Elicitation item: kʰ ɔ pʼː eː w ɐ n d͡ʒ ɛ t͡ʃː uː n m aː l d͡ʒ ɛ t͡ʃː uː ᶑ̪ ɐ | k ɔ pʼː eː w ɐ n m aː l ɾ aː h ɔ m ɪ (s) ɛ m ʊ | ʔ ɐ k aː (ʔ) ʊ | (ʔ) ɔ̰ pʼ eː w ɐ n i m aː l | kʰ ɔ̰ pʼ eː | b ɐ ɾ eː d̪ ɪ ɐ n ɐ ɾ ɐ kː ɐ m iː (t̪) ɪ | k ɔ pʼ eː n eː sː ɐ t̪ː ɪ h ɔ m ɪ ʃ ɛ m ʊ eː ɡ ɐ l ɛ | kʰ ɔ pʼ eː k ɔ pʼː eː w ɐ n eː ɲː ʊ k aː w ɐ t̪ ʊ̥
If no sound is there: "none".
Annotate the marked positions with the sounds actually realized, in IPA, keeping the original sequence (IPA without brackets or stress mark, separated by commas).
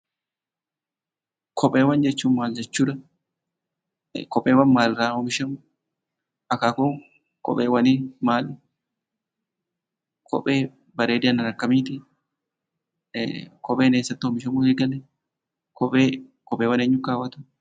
ʃ, k, k, t̪